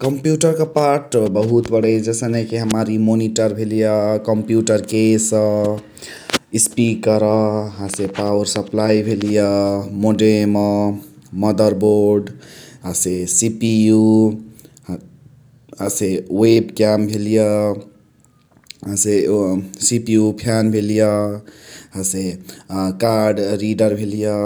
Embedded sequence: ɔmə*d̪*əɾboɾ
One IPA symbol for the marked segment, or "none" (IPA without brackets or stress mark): d̪